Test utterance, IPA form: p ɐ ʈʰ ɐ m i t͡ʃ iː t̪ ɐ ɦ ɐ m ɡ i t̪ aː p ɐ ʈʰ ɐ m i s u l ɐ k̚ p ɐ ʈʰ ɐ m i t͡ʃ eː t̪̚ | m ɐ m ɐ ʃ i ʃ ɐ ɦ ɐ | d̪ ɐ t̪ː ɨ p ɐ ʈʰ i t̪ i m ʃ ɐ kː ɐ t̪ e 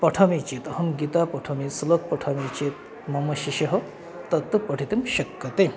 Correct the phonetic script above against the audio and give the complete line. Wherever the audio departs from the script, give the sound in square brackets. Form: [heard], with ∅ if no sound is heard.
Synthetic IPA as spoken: p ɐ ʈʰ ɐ m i t͡ʃ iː t̪ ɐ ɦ ɐ m ɡ i t̪ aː p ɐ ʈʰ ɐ m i s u l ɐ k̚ p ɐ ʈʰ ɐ m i t͡ʃ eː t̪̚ | m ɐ m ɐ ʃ i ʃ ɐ ɦ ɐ | [t̪] ɐ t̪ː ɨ p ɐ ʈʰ i t̪ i m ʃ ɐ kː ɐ t̪ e